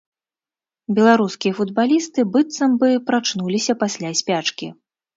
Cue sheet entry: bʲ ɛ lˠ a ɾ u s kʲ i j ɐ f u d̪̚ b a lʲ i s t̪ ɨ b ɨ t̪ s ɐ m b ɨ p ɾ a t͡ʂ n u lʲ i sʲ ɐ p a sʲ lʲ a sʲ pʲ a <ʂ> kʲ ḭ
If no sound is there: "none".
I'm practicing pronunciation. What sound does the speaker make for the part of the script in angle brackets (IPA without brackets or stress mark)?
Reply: t͡ʂ